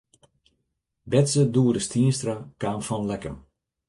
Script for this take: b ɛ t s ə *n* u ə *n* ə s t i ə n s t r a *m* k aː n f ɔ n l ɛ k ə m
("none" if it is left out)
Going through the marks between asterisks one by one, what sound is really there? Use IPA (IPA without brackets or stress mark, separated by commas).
d, d, none